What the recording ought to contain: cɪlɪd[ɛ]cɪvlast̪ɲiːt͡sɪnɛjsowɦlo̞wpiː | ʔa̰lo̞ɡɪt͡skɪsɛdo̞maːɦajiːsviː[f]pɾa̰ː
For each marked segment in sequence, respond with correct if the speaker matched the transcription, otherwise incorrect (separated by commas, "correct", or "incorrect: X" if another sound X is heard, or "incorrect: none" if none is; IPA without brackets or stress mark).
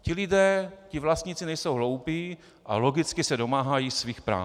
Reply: incorrect: ɛː, incorrect: x